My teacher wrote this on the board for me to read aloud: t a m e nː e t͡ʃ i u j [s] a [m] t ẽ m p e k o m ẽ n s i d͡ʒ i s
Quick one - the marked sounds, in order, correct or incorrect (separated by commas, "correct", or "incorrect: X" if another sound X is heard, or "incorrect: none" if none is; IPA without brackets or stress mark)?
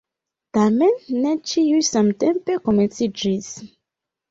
correct, correct